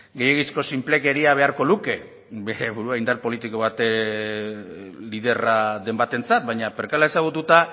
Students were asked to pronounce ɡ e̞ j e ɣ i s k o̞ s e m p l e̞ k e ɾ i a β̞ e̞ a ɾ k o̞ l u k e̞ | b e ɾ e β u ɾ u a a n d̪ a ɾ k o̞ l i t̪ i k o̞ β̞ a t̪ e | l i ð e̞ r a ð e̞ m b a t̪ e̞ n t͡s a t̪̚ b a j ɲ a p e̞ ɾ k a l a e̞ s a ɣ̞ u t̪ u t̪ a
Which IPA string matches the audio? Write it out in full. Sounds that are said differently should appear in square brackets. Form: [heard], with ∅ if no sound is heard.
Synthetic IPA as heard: ɡ e̞ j e ɣ i s k o̞ s [i] m p l e̞ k e ɾ i a β̞ e̞ a ɾ k o̞ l u k e̞ | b e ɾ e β u ɾ u a [i] n d̪ a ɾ [p] o̞ l i t̪ i k o̞ β̞ a t̪ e | l i ð e̞ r a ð e̞ m b a t̪ e̞ n t͡s a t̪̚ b a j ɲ a p e̞ ɾ k a l a e̞ s a ɣ̞ u t̪ u t̪ a